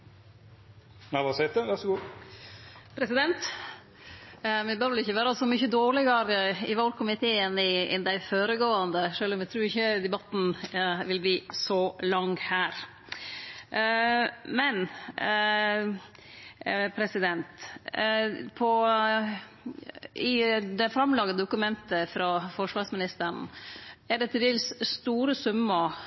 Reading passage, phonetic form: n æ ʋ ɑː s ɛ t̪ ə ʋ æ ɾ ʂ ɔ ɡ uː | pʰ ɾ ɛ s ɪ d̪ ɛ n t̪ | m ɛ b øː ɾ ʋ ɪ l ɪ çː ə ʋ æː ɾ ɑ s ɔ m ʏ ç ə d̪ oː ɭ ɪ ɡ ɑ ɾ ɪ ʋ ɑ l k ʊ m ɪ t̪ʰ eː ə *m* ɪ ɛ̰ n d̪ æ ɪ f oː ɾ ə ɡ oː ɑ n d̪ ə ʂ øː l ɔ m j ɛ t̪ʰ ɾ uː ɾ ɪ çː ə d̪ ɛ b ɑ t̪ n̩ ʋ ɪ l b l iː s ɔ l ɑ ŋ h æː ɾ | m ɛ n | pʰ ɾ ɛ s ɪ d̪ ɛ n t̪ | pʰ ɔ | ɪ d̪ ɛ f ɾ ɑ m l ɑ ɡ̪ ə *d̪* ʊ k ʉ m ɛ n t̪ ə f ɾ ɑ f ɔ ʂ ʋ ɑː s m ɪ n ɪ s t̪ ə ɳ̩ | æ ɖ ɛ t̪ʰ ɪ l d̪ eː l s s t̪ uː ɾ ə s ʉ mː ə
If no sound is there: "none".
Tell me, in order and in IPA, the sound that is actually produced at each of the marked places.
n, d̪

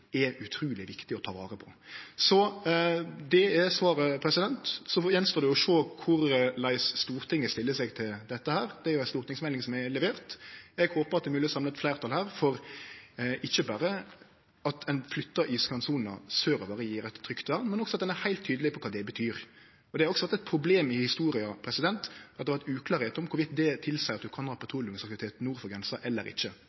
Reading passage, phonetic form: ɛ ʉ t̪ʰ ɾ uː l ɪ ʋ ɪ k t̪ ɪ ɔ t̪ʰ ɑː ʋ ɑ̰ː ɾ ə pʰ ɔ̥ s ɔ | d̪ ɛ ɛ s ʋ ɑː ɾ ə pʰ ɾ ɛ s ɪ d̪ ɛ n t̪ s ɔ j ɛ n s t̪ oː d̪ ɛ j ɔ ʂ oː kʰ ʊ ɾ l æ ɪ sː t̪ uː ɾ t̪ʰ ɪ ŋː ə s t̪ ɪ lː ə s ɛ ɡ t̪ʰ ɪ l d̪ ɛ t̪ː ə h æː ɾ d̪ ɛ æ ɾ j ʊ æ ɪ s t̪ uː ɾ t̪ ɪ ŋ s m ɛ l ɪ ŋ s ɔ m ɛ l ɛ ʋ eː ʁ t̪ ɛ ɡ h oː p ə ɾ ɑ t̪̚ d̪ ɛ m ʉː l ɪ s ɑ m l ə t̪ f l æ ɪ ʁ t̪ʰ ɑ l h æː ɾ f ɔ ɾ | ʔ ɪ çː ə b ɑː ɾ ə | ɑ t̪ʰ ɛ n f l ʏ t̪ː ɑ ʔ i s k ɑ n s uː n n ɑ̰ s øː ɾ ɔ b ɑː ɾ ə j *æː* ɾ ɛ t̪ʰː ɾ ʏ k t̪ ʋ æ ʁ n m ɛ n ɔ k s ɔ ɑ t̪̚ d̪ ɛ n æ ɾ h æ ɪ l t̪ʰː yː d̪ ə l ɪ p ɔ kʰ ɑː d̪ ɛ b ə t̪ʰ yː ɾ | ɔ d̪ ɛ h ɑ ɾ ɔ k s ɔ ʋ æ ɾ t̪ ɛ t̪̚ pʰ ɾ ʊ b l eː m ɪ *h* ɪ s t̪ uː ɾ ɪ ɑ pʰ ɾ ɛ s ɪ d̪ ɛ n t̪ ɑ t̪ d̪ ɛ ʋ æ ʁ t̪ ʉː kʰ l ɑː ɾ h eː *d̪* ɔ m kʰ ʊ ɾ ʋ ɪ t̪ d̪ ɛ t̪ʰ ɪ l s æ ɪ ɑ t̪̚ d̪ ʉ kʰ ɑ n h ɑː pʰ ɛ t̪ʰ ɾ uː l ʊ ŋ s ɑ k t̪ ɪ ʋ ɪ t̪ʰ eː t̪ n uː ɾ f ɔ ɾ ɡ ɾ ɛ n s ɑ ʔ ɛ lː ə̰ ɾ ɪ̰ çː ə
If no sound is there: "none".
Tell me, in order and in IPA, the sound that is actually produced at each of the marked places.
iː, h, t̪

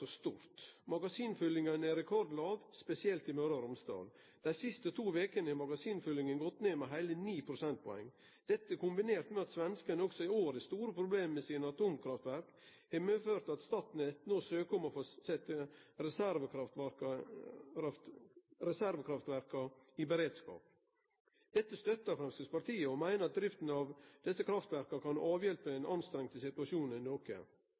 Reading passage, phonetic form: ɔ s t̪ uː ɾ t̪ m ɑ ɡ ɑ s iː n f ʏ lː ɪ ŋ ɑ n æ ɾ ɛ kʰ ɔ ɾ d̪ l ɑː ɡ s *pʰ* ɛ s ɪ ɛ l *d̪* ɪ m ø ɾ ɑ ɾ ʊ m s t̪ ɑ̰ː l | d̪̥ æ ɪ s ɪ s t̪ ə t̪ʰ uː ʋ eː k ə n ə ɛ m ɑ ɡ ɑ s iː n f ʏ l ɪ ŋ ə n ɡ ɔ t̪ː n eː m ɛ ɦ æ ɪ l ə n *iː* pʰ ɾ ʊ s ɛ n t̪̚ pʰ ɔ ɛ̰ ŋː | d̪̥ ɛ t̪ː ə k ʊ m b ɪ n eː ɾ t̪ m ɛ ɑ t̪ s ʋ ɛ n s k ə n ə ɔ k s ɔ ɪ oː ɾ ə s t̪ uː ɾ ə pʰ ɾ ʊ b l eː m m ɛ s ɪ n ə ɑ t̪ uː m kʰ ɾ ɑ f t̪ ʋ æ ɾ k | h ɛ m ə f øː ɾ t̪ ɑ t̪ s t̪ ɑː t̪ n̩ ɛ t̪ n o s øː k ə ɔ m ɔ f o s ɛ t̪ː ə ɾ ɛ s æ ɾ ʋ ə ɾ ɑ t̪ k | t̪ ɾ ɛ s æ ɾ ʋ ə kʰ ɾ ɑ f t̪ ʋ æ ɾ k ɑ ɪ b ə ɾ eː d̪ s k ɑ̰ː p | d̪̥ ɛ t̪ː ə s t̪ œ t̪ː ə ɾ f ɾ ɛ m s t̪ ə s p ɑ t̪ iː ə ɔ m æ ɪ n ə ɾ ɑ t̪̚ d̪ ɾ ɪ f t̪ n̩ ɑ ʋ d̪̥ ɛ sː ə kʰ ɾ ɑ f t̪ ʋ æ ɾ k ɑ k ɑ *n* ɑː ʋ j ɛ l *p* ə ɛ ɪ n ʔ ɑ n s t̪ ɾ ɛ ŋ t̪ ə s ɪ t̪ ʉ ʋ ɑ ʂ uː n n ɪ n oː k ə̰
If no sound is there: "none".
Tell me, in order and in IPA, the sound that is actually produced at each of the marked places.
p, t̪, iː, n, p

